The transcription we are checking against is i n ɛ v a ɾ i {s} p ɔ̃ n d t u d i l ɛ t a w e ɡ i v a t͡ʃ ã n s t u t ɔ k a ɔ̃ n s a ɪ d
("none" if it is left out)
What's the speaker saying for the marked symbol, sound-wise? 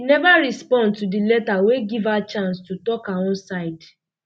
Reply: s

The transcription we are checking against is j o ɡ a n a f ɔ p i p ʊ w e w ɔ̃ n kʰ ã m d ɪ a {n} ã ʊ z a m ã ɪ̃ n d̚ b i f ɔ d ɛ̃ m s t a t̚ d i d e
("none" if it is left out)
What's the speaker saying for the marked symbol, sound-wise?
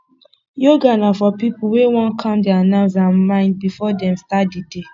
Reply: n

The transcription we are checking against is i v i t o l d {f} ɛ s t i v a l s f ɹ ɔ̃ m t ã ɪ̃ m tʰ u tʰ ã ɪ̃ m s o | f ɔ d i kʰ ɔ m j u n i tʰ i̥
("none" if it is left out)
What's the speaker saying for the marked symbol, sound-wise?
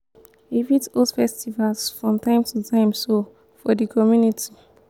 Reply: f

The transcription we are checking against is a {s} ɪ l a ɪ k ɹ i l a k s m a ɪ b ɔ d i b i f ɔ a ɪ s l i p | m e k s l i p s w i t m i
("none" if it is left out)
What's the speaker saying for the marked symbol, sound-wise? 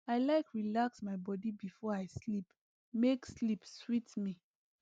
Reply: none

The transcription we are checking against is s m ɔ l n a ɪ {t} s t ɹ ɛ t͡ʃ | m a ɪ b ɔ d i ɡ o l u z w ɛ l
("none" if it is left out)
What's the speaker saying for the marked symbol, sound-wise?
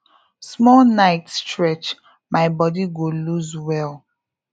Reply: t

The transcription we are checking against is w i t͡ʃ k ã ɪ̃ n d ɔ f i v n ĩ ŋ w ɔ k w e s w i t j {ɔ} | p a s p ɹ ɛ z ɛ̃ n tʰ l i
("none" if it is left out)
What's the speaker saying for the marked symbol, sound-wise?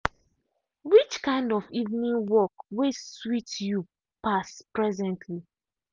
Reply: u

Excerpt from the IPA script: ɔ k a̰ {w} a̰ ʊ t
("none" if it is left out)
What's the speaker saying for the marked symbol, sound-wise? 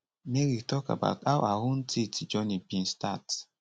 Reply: b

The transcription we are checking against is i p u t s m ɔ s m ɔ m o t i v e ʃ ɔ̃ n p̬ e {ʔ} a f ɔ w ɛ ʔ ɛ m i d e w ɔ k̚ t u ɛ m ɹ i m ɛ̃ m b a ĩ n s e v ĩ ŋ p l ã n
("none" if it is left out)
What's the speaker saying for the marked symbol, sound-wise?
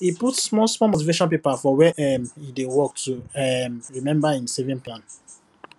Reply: p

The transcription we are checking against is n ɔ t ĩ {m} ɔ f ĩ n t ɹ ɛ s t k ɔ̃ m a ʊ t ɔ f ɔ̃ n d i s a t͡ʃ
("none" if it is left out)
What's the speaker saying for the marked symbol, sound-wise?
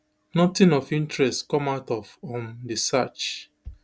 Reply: n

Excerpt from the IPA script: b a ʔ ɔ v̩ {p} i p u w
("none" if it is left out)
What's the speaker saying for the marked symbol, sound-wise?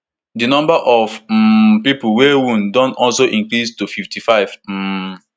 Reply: p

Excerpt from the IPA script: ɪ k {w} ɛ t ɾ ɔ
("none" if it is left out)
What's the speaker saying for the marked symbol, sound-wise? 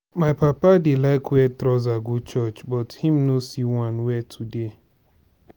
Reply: w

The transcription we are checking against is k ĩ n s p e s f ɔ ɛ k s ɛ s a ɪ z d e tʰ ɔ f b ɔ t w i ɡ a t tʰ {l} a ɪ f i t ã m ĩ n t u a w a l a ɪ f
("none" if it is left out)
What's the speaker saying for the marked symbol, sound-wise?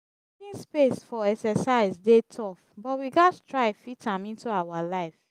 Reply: ɹ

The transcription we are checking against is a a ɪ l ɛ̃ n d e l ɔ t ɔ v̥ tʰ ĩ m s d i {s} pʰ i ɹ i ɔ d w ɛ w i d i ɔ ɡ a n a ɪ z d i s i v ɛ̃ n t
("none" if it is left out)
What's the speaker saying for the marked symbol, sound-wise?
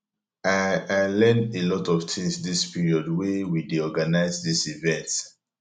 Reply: s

